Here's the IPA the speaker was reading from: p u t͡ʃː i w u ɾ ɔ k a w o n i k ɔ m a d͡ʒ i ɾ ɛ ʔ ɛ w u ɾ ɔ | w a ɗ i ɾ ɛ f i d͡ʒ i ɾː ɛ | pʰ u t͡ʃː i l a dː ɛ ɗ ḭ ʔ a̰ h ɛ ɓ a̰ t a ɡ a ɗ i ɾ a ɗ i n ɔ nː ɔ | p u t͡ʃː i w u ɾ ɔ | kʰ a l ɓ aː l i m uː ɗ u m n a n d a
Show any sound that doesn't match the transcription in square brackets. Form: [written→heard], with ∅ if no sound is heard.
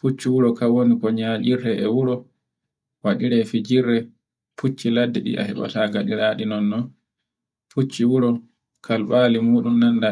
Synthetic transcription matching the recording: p u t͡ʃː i w u ɾ ɔ k a w o n i k ɔ [m→ɲ] a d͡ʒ i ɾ ɛ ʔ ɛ w u ɾ ɔ | w a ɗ i ɾ ɛ f i d͡ʒ i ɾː ɛ | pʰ u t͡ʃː i l a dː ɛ ɗ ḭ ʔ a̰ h ɛ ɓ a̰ t a ɡ a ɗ i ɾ a ɗ i n ɔ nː ɔ | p u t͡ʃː i w u ɾ ɔ | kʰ a l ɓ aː l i m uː ɗ u m n a n d a